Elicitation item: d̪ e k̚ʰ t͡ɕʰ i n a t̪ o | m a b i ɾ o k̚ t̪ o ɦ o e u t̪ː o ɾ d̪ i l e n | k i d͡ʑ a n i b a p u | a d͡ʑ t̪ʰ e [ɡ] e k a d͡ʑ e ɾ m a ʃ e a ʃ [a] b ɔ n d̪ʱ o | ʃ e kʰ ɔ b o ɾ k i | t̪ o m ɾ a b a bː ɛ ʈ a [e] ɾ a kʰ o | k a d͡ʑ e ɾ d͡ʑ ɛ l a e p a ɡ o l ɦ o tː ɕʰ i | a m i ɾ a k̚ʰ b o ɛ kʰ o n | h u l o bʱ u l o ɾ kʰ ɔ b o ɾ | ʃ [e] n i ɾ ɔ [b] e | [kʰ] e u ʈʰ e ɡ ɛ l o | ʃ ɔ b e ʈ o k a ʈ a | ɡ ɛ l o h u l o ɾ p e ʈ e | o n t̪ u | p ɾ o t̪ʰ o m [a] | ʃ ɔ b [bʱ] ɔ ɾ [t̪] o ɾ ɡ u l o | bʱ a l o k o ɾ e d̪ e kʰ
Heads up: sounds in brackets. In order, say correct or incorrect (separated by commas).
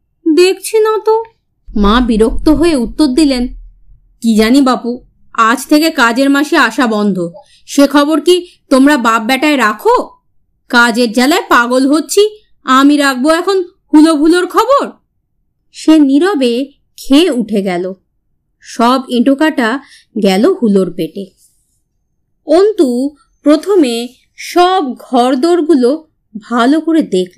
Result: incorrect, correct, correct, correct, correct, correct, incorrect, incorrect, incorrect